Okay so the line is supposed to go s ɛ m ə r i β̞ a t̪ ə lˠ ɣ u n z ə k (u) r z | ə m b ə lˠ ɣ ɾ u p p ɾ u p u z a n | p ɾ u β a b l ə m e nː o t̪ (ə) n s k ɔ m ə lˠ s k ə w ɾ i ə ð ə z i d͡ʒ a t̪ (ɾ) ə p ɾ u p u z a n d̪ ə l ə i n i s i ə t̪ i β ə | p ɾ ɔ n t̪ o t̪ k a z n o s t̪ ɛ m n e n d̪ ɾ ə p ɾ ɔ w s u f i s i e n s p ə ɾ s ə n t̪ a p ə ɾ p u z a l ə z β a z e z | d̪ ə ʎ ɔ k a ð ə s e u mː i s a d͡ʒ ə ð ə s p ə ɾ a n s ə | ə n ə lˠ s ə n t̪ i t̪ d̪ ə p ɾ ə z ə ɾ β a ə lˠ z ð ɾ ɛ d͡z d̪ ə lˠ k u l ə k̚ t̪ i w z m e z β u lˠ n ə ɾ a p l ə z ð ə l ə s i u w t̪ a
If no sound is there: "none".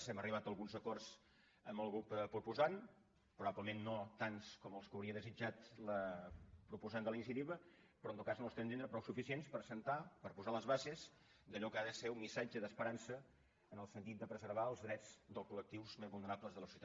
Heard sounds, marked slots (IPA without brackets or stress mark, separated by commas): ɔ, a, l